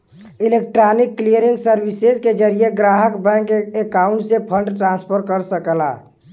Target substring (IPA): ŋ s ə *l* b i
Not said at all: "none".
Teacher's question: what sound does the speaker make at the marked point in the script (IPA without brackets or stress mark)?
ɾ